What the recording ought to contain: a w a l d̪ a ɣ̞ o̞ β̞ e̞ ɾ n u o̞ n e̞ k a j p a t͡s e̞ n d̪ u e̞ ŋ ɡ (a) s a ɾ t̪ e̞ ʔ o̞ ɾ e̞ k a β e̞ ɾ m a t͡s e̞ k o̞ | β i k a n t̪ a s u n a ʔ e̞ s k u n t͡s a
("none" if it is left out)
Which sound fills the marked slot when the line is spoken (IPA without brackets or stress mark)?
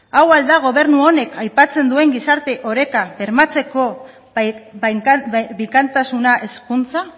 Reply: i